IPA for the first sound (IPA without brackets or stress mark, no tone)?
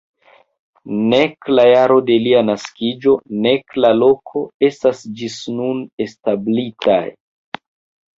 n